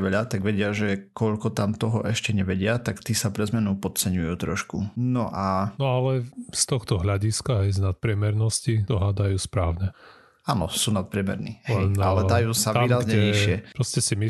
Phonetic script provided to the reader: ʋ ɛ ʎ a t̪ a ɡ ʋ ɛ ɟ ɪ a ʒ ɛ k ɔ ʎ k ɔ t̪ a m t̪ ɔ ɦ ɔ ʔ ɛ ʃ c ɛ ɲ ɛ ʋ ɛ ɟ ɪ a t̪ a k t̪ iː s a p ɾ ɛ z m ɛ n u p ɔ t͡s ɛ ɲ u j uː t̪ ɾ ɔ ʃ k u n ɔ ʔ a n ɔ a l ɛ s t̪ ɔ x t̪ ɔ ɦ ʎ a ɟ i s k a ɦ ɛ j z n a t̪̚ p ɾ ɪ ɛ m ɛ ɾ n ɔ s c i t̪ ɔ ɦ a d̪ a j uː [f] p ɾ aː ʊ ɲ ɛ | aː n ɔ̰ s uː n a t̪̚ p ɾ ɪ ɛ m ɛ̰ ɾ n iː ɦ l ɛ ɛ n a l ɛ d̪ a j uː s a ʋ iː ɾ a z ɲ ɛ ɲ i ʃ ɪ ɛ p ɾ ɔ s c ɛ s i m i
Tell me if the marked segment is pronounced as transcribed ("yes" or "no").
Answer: no